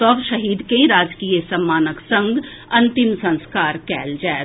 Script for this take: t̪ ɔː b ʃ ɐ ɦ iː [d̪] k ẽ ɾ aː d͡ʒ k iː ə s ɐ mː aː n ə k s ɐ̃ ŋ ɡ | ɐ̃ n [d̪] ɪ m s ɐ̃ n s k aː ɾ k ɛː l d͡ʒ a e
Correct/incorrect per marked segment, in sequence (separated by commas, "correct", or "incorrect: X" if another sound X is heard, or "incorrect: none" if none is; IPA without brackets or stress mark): correct, incorrect: t̪